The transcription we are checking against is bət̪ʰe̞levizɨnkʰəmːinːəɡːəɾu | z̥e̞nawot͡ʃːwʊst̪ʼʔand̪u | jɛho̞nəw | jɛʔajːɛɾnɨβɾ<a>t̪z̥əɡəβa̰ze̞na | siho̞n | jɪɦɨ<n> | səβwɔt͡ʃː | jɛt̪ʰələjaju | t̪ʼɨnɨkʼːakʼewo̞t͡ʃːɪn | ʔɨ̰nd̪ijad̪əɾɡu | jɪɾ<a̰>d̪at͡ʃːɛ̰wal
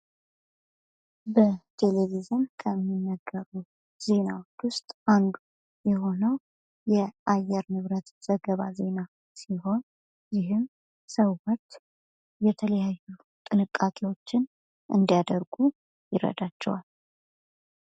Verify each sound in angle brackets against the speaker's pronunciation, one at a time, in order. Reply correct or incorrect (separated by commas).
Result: incorrect, incorrect, incorrect